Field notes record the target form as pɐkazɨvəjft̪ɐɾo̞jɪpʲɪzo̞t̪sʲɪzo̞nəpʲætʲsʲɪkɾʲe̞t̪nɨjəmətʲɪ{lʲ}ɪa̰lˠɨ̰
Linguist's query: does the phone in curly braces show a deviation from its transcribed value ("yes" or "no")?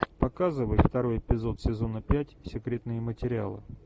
yes